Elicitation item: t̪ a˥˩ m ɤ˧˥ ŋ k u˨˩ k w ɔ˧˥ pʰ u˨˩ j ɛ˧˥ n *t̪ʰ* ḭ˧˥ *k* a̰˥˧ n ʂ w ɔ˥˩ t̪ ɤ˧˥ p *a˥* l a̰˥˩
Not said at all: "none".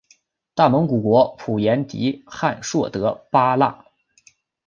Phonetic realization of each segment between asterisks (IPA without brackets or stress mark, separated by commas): t̪, x, a˥